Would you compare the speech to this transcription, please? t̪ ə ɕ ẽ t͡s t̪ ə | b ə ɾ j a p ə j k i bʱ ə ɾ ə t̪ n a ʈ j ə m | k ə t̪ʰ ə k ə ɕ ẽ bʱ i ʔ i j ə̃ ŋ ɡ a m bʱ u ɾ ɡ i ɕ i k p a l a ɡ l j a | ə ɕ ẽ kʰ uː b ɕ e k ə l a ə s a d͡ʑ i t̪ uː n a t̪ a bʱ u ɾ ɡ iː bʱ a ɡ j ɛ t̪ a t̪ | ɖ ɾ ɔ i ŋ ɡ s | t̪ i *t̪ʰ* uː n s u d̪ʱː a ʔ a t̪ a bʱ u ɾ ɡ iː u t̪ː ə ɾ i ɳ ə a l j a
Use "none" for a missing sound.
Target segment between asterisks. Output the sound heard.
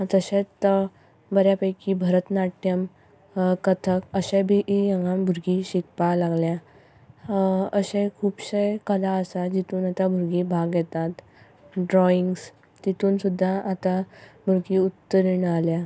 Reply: t̪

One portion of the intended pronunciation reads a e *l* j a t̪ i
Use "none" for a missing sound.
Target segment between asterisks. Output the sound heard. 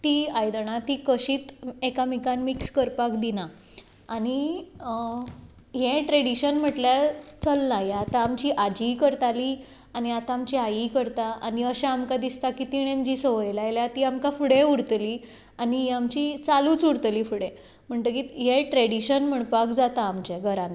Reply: l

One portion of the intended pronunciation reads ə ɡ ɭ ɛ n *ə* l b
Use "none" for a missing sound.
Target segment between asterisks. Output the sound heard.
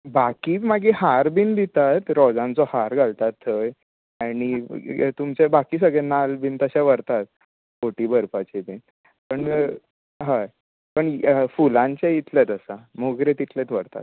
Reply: a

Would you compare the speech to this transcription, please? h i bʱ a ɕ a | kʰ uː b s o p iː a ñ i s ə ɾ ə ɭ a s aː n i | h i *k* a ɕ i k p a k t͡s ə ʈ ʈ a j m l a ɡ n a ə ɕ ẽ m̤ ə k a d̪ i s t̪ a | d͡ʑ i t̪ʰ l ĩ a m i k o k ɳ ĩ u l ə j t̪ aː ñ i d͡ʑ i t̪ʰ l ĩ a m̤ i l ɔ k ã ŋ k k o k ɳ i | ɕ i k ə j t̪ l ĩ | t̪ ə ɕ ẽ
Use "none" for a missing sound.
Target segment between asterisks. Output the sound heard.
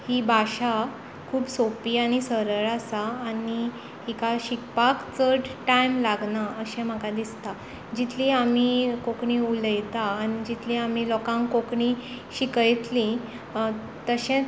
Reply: k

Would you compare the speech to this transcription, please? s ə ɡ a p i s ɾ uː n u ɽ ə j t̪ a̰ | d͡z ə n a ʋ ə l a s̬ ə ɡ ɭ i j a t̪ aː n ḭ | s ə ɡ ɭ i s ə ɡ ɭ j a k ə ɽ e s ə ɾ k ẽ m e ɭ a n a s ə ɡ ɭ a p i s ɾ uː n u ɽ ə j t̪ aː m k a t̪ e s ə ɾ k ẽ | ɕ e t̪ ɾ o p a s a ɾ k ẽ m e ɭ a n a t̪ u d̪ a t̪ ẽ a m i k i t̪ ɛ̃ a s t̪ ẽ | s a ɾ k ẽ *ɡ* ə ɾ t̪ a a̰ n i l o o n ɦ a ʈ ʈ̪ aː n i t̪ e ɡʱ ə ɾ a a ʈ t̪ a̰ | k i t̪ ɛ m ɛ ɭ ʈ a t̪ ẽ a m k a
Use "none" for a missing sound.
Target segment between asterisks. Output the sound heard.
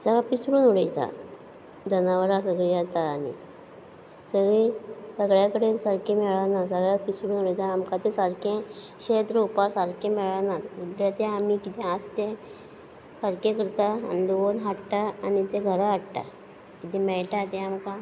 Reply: k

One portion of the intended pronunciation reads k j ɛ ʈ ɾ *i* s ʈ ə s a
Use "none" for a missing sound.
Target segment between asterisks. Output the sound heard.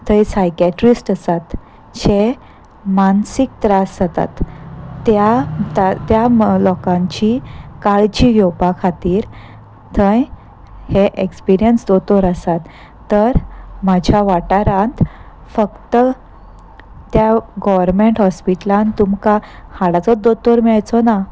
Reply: i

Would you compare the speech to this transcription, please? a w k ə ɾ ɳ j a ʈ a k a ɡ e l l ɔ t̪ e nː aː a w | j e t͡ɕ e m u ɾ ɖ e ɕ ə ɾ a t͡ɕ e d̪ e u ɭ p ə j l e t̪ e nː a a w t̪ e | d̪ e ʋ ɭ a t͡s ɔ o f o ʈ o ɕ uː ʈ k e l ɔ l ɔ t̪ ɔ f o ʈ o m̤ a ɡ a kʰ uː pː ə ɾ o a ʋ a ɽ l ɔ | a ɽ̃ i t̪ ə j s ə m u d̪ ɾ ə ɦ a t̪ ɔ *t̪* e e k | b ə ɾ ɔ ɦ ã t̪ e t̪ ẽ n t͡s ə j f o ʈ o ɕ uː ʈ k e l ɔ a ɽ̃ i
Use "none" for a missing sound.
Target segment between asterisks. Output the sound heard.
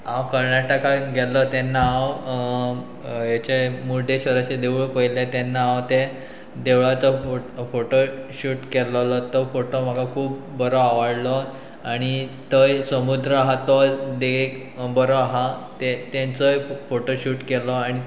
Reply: d̪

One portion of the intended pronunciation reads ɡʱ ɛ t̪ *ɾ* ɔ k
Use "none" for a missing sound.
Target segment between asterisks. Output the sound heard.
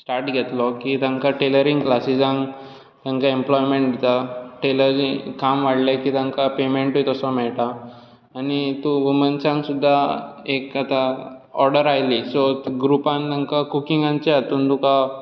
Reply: l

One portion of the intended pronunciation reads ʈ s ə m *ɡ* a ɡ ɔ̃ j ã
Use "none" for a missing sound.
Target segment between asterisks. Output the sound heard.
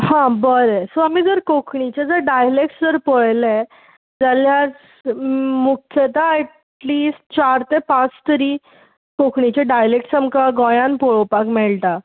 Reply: k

